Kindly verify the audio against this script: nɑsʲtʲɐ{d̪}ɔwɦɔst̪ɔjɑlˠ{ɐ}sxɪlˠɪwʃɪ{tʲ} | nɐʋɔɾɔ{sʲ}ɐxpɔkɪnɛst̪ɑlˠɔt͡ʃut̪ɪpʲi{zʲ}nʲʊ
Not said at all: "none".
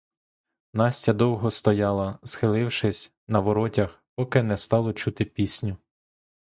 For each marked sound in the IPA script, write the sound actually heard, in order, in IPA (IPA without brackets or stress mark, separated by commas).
d̪, ɐ, sʲ, tʲ, sʲ